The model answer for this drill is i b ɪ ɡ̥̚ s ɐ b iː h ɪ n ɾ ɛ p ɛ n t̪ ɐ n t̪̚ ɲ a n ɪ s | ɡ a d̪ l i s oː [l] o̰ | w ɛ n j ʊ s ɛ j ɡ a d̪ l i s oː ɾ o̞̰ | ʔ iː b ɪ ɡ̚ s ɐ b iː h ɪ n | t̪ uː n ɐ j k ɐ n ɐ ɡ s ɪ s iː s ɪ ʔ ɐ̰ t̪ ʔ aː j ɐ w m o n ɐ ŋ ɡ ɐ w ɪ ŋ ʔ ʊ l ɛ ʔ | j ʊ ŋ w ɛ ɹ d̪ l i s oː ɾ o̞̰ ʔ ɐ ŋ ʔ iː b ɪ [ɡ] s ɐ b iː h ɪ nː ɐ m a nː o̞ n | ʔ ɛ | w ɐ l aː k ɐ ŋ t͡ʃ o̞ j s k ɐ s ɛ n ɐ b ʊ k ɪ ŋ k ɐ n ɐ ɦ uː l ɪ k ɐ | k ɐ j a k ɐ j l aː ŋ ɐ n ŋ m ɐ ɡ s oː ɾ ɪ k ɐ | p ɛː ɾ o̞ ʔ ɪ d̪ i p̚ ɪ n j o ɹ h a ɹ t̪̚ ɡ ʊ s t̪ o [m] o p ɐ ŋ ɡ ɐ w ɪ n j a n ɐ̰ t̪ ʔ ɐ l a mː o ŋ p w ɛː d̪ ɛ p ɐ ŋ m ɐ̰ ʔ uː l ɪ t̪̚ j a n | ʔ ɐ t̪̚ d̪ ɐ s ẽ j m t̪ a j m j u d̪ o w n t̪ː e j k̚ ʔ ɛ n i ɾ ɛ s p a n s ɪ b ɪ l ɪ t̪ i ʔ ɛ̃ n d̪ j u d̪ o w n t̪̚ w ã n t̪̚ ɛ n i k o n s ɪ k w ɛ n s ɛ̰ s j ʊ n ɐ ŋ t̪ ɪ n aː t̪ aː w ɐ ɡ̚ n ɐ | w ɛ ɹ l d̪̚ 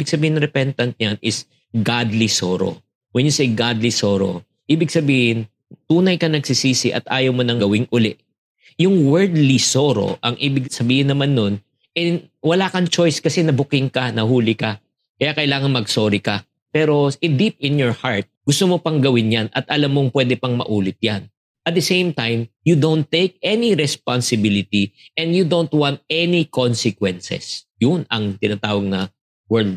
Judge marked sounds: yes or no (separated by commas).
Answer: no, yes, yes